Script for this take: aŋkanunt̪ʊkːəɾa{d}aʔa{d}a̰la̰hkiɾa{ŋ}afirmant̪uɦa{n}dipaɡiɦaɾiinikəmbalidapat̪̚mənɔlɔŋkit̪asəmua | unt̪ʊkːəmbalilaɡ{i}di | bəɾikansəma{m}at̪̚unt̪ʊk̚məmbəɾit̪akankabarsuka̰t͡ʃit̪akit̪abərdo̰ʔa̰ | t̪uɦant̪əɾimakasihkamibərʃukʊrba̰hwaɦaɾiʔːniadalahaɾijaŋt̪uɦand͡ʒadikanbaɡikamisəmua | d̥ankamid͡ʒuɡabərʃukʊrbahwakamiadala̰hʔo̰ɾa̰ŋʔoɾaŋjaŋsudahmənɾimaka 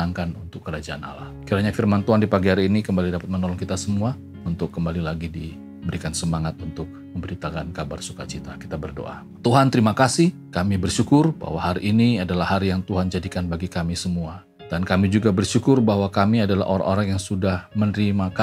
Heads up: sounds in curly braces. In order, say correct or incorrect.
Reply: incorrect: d͡ʒ, incorrect: n, incorrect: ɲ, correct, correct, incorrect: ŋ

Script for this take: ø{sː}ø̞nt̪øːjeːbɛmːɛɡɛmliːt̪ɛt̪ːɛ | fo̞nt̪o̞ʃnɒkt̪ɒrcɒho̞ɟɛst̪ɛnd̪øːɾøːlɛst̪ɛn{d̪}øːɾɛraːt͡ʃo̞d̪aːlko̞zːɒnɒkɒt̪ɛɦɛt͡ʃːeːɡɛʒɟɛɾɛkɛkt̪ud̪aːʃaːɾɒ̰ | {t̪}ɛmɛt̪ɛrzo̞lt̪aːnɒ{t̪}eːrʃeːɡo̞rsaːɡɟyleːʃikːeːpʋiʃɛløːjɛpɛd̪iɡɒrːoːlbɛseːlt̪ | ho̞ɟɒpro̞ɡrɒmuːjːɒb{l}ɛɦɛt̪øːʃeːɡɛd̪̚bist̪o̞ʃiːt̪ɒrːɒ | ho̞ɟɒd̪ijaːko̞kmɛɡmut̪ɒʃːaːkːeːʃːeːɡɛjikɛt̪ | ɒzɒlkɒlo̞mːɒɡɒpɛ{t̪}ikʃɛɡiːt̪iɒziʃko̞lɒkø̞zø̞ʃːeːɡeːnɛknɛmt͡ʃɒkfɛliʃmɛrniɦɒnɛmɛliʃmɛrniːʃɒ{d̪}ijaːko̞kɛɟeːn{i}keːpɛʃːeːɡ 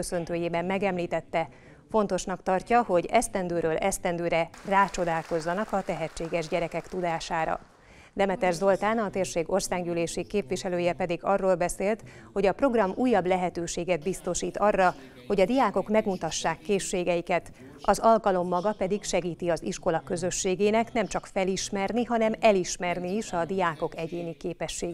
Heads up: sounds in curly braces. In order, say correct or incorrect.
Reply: incorrect: s, correct, incorrect: d̪, correct, correct, incorrect: d̪, correct, correct

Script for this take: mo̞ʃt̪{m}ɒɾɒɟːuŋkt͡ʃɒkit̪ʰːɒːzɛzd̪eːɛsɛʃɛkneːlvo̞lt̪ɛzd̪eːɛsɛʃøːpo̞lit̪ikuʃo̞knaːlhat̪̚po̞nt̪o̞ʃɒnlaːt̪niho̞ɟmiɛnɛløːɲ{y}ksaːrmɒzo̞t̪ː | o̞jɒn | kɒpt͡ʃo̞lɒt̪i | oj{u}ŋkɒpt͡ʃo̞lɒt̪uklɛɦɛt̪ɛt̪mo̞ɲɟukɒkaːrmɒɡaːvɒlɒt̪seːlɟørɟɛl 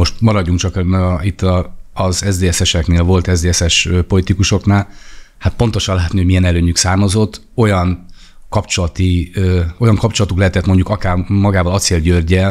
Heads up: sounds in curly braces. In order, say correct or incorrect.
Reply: correct, correct, incorrect: ɒ

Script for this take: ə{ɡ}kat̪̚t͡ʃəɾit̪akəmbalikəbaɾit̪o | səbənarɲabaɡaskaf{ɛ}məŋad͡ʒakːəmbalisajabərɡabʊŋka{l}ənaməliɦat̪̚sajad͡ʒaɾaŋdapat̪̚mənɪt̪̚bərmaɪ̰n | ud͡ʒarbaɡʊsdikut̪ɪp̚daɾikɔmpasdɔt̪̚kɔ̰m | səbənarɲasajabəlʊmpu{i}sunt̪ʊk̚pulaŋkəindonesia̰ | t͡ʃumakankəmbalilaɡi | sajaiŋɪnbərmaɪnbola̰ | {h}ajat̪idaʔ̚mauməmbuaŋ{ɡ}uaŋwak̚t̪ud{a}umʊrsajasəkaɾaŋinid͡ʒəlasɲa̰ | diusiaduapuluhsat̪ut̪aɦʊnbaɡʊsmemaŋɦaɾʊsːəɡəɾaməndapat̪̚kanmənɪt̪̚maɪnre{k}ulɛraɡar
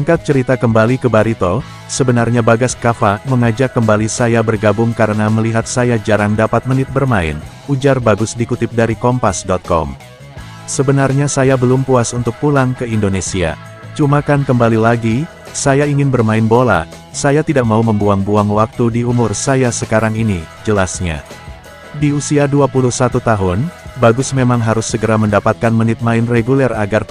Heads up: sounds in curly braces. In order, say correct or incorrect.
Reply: incorrect: ŋ, incorrect: a, incorrect: ɾ, incorrect: a, incorrect: s, incorrect: b, incorrect: i, incorrect: ɡ

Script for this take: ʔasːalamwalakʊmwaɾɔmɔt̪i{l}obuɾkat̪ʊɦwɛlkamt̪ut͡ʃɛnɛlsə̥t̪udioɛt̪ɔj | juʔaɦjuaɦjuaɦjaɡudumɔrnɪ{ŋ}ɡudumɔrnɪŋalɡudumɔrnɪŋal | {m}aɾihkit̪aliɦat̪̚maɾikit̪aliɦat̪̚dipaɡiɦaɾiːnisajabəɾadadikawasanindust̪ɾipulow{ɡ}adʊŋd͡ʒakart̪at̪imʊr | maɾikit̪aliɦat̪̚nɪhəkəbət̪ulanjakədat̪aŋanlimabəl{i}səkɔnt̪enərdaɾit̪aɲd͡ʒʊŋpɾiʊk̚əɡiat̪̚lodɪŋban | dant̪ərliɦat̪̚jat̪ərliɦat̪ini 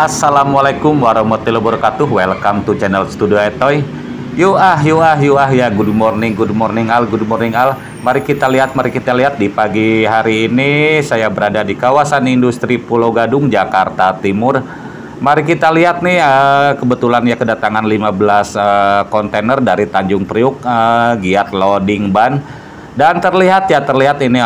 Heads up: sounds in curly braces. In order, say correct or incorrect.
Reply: correct, correct, correct, correct, incorrect: a

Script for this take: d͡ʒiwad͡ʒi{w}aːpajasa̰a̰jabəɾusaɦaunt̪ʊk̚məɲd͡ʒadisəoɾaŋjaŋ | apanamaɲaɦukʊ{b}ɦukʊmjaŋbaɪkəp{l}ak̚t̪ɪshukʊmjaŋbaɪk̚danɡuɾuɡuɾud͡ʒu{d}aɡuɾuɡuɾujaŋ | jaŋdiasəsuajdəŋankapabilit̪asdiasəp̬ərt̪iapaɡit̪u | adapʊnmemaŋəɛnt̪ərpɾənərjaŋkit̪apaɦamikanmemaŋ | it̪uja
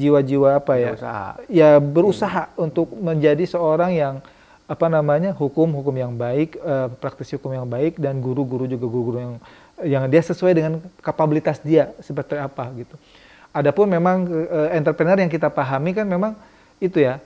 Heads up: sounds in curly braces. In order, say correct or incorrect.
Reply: correct, incorrect: m, incorrect: ɾ, incorrect: ɡ

